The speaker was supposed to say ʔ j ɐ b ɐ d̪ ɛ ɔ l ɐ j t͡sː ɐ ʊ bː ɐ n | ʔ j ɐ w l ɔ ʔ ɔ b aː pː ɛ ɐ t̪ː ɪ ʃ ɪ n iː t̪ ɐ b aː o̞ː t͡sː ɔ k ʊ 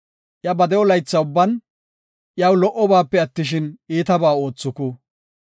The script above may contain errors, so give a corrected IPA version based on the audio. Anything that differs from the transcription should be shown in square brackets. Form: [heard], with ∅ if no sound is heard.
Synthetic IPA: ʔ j ɐ b ɐ d̪ ɛ ɔ l ɐ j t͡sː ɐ ʊ bː ɐ n | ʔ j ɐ w l ɔ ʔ ɔ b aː pː ɛ ɐ t̪ː ɪ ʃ ɪ n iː t̪ ɐ b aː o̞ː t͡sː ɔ k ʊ